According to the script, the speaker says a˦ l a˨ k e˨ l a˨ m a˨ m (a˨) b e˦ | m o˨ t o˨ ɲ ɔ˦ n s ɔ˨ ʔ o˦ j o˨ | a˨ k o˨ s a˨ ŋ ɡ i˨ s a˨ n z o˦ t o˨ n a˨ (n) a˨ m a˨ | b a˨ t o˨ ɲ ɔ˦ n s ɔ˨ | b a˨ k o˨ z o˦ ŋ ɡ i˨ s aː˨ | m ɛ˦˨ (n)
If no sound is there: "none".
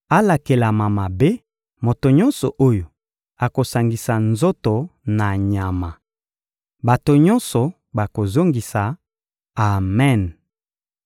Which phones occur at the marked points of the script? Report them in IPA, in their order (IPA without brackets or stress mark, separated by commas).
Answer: a˨, ɲ, n